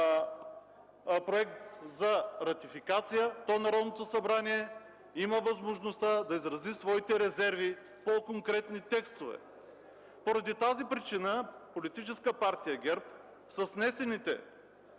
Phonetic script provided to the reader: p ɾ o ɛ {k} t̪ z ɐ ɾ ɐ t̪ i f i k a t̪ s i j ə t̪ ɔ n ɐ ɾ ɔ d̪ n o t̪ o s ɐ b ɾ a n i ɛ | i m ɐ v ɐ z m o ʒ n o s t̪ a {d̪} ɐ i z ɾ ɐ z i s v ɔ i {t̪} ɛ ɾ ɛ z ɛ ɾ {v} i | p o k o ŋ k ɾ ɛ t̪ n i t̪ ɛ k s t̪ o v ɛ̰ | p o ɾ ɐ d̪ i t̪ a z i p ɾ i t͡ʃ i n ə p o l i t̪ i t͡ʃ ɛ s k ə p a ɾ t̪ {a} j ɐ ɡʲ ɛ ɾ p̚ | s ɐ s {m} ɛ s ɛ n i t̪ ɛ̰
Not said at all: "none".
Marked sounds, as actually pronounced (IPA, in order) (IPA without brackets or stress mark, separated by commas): k, d̪, t̪, v, i, n